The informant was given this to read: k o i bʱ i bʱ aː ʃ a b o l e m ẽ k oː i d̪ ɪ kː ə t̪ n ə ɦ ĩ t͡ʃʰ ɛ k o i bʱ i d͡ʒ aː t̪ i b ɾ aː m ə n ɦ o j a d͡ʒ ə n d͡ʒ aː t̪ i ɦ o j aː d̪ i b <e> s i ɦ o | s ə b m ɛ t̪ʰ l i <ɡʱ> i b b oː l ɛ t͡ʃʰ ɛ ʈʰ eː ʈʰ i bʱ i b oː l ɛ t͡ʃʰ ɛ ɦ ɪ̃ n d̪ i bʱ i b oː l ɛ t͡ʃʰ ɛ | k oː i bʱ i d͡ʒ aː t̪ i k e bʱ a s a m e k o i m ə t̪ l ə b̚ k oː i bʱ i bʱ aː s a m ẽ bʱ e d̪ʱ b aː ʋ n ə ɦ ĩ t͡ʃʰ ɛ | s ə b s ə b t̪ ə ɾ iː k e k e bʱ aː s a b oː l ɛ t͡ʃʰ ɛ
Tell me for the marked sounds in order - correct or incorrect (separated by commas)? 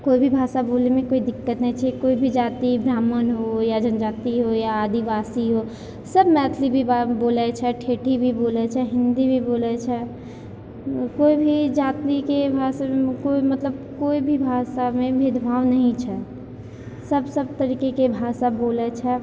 incorrect, incorrect